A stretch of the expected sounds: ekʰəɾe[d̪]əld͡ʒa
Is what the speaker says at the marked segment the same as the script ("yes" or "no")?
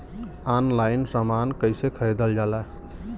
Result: yes